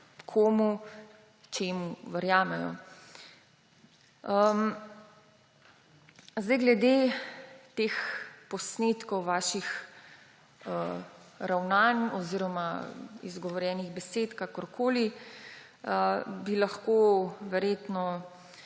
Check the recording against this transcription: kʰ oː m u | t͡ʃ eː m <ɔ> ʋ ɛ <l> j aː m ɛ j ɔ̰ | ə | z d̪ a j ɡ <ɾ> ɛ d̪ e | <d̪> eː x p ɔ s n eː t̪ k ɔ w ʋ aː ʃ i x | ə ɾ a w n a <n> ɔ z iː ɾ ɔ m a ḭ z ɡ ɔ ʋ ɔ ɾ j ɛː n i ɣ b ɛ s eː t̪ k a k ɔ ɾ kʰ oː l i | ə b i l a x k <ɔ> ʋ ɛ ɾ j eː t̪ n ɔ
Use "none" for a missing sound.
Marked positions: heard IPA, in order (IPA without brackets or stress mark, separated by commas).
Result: u, ɾ, l, t̪, n, o